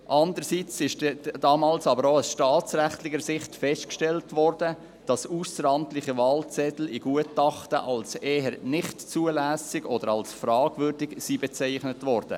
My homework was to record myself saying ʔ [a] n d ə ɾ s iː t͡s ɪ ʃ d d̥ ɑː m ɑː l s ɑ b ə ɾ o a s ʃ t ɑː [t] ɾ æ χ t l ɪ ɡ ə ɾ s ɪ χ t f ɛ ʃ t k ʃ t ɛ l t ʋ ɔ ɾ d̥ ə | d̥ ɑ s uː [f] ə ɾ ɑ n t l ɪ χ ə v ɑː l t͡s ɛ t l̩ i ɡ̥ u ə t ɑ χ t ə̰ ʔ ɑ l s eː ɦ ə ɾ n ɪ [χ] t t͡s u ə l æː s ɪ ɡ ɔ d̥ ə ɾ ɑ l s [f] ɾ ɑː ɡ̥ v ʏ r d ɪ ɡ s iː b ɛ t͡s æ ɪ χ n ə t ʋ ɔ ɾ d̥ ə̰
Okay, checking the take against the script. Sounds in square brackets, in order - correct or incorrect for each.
incorrect, incorrect, incorrect, correct, correct

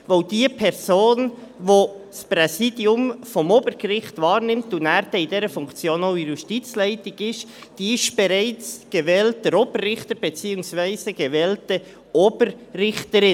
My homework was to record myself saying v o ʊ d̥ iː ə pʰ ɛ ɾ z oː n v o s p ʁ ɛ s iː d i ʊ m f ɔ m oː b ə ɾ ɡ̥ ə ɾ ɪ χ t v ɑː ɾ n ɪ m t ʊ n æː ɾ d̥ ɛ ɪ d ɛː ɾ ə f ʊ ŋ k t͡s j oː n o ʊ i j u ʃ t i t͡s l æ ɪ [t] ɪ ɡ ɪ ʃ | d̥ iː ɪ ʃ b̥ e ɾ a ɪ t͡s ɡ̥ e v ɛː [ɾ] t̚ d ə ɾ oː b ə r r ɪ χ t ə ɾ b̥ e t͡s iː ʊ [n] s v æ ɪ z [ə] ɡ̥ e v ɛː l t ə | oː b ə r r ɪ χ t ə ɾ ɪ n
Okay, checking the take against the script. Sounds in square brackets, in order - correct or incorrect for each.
correct, incorrect, incorrect, correct

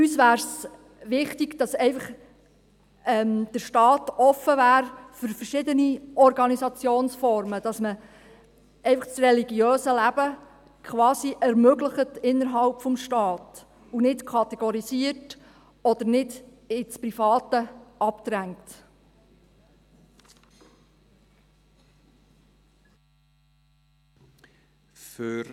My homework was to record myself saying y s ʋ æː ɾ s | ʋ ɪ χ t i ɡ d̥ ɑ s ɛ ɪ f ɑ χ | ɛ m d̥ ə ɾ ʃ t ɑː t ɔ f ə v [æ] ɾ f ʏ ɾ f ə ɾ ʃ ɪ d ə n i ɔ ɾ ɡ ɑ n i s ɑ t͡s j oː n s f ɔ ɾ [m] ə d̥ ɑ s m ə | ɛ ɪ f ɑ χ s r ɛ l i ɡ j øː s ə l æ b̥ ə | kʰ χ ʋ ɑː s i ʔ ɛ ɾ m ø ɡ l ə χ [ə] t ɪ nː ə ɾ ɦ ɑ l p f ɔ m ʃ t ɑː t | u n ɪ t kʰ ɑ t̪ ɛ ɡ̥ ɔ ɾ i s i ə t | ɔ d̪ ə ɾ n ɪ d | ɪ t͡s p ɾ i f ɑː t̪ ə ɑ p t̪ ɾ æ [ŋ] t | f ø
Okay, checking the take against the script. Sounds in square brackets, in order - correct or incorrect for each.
incorrect, correct, correct, correct

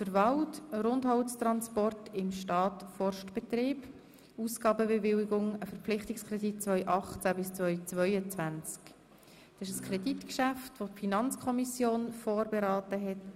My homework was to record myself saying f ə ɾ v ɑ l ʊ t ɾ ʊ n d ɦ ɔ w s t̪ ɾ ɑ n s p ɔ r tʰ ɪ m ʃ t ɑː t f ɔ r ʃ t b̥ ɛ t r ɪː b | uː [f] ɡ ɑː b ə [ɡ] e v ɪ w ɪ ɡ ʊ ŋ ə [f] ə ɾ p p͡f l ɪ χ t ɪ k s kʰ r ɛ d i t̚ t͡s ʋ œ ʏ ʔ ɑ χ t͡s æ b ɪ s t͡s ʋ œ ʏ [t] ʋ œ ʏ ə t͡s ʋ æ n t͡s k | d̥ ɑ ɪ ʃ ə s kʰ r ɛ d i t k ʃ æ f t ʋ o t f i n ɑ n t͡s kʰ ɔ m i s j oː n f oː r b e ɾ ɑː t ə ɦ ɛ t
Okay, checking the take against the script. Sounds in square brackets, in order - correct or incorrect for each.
incorrect, incorrect, correct, incorrect

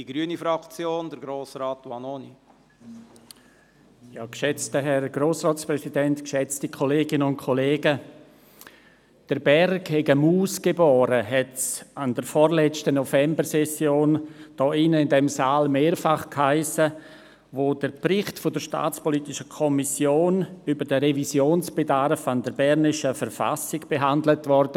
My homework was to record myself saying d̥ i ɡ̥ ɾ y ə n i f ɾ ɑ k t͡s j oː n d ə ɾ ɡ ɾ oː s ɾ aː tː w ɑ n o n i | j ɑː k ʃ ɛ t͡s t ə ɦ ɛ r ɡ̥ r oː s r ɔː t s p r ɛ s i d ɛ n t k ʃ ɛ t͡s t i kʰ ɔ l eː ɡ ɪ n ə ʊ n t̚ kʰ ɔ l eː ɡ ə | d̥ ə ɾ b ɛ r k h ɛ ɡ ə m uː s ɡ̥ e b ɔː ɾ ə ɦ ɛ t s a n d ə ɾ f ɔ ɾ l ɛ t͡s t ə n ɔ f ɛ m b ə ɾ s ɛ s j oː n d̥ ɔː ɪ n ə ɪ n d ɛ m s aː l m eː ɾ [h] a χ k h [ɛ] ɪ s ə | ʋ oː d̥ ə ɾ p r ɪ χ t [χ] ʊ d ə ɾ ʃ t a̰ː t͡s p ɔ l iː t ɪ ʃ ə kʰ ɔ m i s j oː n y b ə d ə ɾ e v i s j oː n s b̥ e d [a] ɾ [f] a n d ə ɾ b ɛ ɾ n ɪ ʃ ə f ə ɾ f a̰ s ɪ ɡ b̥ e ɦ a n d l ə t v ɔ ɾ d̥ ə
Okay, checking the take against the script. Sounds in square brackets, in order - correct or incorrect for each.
incorrect, incorrect, incorrect, correct, correct

